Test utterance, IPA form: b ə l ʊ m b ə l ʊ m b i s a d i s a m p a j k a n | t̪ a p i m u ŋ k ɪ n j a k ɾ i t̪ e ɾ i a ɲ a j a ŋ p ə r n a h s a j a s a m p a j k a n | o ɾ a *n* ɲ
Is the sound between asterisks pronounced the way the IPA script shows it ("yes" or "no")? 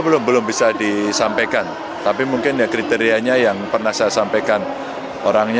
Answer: no